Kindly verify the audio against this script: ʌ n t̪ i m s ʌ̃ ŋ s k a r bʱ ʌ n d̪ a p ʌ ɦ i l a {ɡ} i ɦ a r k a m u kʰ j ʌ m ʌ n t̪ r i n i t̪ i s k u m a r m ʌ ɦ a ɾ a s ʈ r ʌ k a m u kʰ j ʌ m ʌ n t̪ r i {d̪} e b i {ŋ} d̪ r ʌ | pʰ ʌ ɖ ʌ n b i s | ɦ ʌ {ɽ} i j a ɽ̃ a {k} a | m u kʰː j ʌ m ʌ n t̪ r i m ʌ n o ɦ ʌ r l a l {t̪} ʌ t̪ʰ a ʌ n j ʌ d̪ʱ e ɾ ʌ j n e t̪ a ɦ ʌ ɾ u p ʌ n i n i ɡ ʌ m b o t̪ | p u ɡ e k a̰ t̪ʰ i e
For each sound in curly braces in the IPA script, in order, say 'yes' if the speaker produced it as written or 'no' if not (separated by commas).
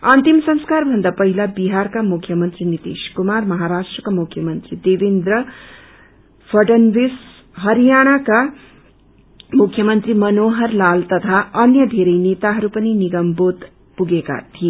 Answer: no, yes, no, no, yes, yes